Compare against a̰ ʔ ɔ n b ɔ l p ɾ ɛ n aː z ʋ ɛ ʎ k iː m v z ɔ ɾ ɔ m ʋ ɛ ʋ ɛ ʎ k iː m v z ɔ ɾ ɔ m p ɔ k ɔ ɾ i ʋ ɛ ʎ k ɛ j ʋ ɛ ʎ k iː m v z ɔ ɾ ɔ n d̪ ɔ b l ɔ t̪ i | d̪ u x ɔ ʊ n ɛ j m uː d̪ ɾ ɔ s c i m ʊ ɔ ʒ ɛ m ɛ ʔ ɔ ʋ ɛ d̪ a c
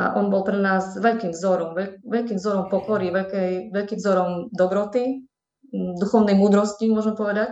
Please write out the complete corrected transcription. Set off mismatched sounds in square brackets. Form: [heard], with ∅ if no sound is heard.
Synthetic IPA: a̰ ʔ ɔ n b ɔ l p ɾ ɛ n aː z ʋ ɛ ʎ k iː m v z ɔ ɾ ɔ m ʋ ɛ ʋ ɛ ʎ k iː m v z ɔ ɾ ɔ m p ɔ k ɔ ɾ i ʋ ɛ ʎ k ɛ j ʋ ɛ ʎ k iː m v z ɔ ɾ ɔ [m] d̪ ɔ b [ɾ] ɔ t̪ i | d̪ u x ɔ ʊ n ɛ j m uː d̪ ɾ ɔ s c i m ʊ ɔ ʒ ɛ m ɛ [p] ɔ ʋ ɛ d̪ a c